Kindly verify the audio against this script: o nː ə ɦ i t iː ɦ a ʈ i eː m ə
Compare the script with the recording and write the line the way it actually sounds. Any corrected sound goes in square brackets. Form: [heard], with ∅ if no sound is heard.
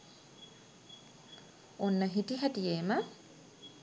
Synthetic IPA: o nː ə ɦ i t [i] ɦ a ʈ i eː m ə